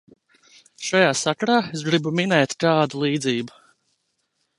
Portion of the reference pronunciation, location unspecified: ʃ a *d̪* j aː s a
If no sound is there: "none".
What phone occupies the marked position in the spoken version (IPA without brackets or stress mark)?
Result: none